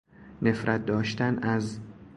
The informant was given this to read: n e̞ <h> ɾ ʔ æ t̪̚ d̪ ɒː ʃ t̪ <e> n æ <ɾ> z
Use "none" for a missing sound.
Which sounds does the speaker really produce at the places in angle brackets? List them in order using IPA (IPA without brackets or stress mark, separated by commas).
f, æ, none